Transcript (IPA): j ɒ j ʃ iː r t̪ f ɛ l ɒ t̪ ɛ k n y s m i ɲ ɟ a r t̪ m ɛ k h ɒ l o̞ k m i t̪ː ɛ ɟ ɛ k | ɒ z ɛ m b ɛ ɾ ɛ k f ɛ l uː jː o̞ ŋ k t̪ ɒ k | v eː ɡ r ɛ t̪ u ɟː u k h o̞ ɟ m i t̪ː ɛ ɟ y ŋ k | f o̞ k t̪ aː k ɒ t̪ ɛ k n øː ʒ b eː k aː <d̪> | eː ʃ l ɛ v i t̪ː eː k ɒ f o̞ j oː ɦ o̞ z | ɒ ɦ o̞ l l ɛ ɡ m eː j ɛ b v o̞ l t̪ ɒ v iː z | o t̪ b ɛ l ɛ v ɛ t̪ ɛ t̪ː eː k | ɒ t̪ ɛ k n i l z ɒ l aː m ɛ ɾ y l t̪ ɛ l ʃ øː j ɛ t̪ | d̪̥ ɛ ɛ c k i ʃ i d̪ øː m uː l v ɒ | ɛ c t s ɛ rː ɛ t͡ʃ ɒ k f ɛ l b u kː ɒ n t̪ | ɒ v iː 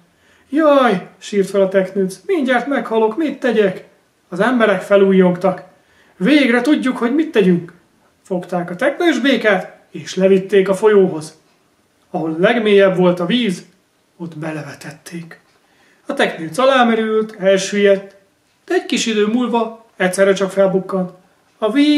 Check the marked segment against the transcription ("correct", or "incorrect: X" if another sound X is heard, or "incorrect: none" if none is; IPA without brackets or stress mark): incorrect: t̪